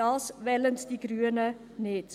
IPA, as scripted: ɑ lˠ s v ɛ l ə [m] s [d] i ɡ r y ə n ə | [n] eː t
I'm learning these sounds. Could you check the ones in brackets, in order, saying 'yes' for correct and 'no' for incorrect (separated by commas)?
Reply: no, yes, yes